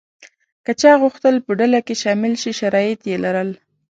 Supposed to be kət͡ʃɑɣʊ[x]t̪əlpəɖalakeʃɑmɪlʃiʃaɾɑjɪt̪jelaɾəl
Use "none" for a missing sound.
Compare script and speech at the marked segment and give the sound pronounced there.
x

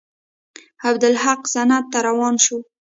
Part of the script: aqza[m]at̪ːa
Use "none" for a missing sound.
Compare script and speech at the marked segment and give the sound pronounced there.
n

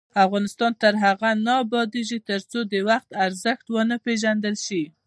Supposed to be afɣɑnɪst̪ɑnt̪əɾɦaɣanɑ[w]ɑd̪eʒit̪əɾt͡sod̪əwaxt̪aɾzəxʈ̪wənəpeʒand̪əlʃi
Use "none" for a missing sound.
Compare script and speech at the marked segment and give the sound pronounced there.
b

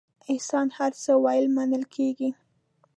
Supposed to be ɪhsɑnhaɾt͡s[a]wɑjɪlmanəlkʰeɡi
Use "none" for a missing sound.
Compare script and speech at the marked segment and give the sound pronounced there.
ə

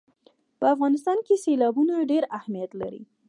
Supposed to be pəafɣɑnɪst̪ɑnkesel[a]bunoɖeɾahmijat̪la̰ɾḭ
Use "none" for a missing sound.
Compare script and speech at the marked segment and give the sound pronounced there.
ɑ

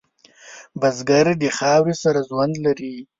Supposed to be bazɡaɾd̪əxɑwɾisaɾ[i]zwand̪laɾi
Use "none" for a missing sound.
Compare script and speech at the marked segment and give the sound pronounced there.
a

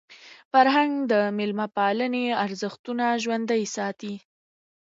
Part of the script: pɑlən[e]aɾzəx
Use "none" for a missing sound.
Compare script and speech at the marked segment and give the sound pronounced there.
e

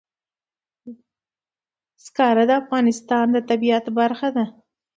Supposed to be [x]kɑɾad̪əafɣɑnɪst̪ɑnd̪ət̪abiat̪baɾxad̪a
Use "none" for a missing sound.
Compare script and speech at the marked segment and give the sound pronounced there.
s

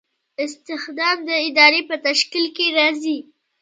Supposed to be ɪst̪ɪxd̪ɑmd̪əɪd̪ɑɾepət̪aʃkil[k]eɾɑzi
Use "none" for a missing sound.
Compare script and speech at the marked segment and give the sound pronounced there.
k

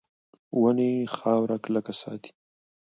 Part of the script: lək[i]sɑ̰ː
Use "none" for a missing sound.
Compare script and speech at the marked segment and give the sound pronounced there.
a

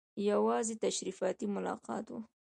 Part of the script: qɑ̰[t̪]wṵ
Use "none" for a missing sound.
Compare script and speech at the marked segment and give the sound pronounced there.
t̪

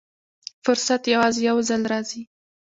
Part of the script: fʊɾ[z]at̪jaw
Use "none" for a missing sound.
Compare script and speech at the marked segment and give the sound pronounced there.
s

